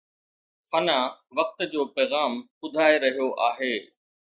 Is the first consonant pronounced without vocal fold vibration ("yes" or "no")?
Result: yes